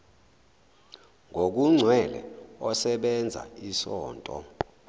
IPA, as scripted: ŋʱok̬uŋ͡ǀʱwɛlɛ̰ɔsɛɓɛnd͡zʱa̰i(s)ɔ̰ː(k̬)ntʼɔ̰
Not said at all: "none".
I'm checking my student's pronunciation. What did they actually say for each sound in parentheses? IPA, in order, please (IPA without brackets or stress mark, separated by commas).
s, none